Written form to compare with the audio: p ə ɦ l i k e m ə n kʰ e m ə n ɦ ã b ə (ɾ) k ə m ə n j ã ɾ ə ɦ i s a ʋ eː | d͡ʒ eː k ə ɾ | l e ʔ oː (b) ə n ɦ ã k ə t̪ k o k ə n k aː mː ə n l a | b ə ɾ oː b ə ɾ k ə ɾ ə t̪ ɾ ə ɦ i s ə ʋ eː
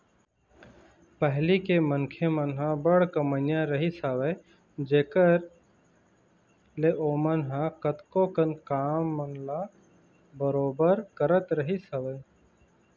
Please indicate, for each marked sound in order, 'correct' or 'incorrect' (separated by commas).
incorrect, incorrect